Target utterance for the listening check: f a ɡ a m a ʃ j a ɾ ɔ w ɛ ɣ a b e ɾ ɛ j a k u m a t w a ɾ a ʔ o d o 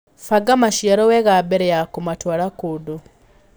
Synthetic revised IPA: f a ɡ a m a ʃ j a ɾ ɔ w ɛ ɣ a b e ɾ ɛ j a k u m a t w a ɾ a k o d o